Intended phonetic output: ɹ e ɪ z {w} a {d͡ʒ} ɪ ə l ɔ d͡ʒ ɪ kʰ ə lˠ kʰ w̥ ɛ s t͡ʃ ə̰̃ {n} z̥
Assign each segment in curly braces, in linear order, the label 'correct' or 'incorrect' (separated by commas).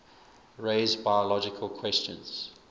incorrect, incorrect, correct